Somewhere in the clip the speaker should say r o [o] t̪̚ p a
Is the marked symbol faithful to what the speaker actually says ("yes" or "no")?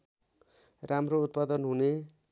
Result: no